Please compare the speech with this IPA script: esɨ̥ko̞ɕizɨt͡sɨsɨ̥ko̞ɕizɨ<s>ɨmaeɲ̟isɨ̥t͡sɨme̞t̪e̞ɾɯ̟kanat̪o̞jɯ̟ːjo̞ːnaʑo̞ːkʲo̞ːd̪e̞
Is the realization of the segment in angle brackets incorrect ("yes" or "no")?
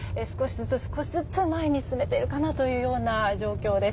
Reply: yes